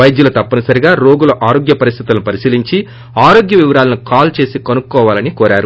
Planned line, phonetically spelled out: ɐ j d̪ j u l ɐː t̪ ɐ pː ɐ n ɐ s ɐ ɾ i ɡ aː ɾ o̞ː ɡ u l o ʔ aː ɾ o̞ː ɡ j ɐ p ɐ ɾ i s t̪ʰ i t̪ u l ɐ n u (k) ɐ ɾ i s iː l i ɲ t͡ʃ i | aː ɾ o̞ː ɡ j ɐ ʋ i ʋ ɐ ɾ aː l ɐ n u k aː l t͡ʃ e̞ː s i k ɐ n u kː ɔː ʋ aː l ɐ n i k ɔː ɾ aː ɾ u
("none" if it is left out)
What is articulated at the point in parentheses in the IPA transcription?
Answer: p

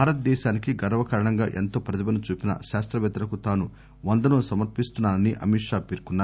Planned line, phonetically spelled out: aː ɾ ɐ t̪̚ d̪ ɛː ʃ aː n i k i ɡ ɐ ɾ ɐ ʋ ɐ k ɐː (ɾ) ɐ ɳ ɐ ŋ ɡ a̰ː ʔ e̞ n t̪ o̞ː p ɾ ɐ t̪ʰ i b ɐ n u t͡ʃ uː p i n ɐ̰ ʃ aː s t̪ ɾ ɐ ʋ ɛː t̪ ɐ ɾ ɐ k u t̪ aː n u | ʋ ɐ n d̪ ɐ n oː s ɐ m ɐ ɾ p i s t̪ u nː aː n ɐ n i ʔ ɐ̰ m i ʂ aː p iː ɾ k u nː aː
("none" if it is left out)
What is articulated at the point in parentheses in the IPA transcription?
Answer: ɾ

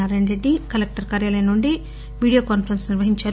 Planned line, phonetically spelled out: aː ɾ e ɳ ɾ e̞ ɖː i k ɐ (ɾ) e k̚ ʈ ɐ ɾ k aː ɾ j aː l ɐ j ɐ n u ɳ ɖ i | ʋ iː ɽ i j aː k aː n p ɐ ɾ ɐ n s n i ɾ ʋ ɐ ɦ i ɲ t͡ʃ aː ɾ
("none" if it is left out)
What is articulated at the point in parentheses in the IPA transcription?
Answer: l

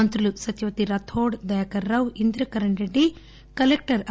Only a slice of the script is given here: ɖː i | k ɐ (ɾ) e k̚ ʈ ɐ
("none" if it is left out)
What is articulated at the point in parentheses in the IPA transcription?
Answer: l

